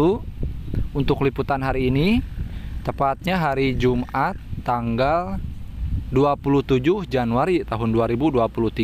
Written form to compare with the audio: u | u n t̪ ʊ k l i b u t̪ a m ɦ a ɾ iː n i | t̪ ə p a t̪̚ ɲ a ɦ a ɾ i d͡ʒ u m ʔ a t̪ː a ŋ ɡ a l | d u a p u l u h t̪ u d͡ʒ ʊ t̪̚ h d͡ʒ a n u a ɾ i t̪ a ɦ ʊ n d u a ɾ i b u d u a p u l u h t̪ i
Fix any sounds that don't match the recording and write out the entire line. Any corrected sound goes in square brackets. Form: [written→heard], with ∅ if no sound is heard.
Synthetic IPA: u | u n t̪ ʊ k l i [b→p] u t̪ a [m→n] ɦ a ɾ iː n i | t̪ ə p a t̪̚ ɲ a ɦ a ɾ i d͡ʒ u m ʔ a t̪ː a ŋ ɡ a l | d u a p u l u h t̪ u d͡ʒ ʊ [t̪̚→∅] h d͡ʒ a n u a ɾ i t̪ a ɦ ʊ n d u a ɾ i b u d u a p u l u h t̪ i